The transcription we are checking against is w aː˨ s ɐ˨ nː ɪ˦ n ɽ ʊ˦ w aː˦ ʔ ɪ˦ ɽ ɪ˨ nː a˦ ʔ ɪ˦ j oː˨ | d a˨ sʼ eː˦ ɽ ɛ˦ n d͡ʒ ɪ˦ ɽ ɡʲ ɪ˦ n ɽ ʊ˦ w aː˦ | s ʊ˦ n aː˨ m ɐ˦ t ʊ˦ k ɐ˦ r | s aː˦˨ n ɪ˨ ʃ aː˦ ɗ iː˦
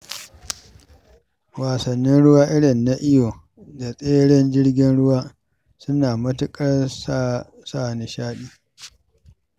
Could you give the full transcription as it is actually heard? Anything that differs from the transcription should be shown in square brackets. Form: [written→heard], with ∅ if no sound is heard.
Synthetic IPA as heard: w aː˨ s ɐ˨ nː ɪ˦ n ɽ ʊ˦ w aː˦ ʔ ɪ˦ ɽ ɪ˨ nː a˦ ʔ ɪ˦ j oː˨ | d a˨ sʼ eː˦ ɽ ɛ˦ n d͡ʒ ɪ˦ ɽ ɡʲ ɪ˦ n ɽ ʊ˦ w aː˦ | s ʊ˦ n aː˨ m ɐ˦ t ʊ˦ [k→kʼ] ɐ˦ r | s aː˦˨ n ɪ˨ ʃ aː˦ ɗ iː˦